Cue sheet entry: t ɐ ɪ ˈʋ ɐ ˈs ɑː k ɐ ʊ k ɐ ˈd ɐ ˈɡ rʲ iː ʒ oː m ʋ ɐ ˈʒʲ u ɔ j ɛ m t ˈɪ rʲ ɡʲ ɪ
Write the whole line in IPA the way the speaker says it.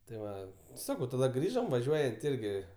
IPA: t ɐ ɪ ˈʋ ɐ ˈs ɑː k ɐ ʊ t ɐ ˈd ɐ ˈɡ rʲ iː ʒ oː m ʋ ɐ ˈʒʲ u ɔ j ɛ n t ˈɪ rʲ ɡʲ ɪ